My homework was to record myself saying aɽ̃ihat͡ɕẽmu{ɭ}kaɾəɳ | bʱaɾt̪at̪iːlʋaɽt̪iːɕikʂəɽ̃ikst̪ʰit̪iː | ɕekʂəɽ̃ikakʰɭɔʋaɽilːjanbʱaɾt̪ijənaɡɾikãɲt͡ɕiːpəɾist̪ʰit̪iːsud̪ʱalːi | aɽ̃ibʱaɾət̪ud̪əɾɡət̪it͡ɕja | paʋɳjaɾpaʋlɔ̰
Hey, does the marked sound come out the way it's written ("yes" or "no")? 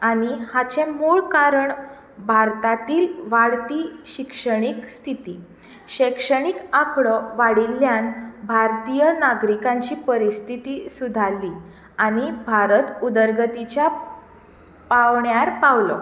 yes